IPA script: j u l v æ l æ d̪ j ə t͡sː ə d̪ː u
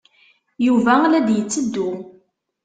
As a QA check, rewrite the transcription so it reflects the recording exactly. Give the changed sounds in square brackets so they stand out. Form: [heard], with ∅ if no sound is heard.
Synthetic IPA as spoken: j u [∅] v æ l æ d̪ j ə t͡sː ə d̪ː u